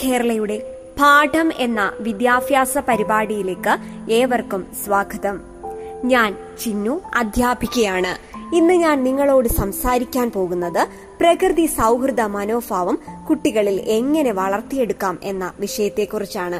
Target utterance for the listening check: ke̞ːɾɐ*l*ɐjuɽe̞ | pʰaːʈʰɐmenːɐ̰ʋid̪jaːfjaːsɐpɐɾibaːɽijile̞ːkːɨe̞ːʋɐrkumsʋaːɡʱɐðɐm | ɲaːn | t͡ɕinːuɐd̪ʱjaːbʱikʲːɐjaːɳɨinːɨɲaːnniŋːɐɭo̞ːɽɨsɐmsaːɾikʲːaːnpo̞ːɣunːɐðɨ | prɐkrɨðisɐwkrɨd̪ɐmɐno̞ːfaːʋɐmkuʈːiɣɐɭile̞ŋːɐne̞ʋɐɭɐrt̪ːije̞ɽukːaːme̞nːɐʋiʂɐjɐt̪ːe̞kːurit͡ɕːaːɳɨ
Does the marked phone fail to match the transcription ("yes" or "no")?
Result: yes